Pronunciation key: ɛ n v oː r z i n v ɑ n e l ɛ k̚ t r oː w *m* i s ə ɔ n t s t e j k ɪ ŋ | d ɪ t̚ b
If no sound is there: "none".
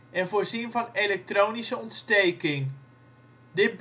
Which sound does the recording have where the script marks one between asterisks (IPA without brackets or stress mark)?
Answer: n